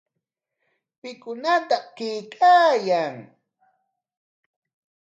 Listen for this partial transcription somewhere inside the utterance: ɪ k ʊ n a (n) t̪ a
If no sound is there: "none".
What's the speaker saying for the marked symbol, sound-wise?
none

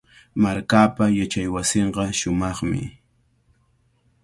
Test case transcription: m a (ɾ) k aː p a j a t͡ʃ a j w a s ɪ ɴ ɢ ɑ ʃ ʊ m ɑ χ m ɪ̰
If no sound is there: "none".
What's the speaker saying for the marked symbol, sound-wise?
ɾ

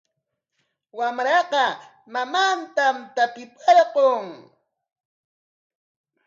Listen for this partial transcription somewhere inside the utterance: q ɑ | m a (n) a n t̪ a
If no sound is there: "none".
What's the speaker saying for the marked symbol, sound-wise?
m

